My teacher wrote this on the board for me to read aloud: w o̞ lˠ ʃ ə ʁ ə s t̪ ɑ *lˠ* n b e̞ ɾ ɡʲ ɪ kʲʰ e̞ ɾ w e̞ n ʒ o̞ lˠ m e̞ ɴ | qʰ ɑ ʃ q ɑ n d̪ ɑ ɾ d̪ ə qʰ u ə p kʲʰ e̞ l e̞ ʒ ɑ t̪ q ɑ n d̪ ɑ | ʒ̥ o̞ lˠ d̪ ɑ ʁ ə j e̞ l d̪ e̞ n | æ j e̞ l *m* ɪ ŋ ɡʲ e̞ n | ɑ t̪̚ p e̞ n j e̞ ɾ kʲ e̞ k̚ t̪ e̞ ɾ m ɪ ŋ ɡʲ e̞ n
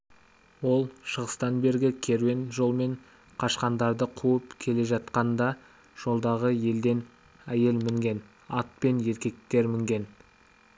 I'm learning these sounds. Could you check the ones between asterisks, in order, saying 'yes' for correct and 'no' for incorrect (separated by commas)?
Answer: no, yes